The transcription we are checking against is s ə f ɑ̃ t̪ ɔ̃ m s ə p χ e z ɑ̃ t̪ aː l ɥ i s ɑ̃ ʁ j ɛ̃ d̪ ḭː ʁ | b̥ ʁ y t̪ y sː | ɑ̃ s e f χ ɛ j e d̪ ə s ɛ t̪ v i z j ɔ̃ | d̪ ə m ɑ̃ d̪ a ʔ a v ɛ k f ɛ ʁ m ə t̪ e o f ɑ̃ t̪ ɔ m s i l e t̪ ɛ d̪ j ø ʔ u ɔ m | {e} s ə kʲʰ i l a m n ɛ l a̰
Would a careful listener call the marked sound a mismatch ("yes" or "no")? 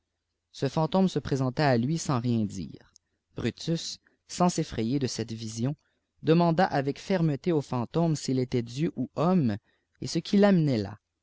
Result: no